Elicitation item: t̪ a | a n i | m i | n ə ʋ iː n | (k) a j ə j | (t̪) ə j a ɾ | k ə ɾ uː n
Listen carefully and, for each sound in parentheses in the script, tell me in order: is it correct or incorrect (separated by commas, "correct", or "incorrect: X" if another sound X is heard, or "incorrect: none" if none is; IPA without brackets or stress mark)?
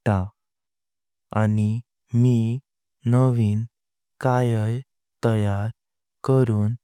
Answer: correct, correct